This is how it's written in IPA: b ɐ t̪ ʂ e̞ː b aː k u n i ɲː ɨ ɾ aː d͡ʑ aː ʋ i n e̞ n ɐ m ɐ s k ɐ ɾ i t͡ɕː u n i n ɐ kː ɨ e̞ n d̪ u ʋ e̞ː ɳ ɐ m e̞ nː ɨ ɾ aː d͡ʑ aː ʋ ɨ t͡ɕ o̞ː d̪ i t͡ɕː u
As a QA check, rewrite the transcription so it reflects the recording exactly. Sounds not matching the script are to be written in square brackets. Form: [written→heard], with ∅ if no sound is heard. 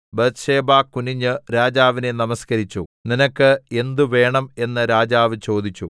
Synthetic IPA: b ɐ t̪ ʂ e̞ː b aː k u n i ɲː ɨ ɾ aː d͡ʑ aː ʋ i n e̞ n ɐ m ɐ s k ɐ ɾ i t͡ɕː u n i n ɐ kː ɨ e̞ n d̪ u ʋ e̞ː ɳ ɐ m e̞ nː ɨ ɾ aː d͡ʑ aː ʋ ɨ t͡ɕ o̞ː d̪ i t͡ɕː u